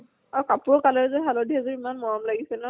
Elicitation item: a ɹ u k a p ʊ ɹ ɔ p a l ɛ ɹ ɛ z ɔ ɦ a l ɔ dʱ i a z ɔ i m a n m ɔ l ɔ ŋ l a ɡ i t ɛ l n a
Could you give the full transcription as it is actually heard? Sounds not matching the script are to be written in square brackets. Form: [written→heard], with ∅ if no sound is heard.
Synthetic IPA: a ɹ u k a p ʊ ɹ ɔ [p→k] a l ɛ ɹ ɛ z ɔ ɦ a l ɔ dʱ i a z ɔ i m a n m ɔ [l→ɹ] ɔ [ŋ→m] l a ɡ i [t→s] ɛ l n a